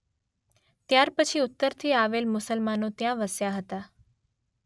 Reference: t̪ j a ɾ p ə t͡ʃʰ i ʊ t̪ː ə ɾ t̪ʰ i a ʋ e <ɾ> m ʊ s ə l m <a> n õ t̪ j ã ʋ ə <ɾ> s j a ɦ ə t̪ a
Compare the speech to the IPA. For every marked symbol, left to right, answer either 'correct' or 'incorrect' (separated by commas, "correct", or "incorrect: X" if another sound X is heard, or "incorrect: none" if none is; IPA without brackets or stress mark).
incorrect: l, correct, incorrect: none